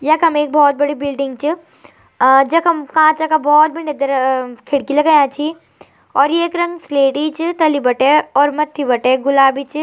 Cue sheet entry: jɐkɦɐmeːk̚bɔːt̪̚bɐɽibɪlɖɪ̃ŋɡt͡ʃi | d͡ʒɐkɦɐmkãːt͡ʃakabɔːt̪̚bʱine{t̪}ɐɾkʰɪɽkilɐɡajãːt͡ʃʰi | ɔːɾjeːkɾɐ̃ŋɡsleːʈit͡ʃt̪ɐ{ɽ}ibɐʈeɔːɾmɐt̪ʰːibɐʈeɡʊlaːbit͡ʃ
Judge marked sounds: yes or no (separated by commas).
no, no